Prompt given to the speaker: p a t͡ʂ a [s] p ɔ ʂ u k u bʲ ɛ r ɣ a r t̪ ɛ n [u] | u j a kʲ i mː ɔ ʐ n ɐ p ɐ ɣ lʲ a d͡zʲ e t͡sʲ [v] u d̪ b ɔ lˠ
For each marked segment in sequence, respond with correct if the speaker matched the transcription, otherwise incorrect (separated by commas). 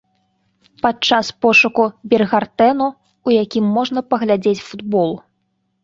correct, correct, incorrect